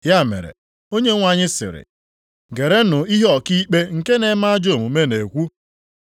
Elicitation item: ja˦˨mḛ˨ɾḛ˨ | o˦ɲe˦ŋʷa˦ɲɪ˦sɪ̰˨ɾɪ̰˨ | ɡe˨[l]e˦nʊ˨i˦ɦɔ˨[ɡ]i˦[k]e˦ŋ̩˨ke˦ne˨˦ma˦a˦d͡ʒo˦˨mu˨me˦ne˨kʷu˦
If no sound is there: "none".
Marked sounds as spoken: ɾ, k, k͡p

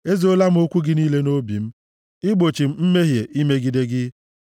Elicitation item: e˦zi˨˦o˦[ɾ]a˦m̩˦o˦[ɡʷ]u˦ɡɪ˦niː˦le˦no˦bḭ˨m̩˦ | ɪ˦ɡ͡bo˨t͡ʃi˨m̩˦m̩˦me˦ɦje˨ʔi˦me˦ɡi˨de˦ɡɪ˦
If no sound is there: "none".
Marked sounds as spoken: l, kʷ

